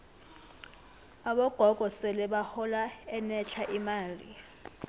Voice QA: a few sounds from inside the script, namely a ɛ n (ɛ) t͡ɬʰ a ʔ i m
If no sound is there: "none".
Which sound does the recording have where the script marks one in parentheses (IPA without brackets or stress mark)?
ɛ